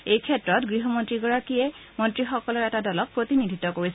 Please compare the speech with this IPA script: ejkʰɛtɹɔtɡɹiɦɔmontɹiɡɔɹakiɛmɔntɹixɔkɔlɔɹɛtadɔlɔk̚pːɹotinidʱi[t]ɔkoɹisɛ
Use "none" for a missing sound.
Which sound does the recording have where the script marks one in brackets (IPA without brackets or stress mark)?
t